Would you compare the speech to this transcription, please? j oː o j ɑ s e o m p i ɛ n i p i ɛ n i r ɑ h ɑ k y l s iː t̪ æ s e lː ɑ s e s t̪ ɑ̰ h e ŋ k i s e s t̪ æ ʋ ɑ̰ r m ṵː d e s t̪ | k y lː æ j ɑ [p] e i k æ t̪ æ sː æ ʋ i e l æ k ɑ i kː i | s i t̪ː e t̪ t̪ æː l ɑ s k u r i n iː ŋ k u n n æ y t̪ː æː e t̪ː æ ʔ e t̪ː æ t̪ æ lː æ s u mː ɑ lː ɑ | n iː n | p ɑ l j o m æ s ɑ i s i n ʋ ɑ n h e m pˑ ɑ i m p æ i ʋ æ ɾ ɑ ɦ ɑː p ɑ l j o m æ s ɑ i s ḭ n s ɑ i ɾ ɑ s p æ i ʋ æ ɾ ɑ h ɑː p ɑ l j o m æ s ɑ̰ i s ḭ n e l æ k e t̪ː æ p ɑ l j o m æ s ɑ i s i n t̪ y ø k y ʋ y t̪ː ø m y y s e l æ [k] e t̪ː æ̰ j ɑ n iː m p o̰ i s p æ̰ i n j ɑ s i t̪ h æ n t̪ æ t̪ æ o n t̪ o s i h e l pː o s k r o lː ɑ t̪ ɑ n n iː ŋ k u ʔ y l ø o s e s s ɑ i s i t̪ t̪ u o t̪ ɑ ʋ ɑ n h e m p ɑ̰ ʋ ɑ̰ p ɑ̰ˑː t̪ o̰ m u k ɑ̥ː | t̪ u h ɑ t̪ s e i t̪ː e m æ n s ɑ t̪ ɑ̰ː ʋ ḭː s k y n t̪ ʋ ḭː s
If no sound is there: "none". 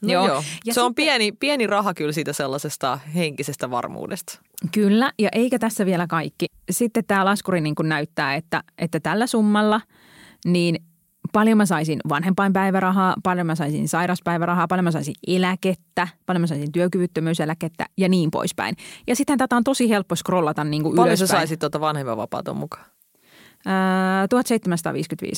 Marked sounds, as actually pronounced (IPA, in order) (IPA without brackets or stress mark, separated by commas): ʔ, k